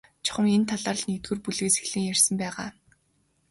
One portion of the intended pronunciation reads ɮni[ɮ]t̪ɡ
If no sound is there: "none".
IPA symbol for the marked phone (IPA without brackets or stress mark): none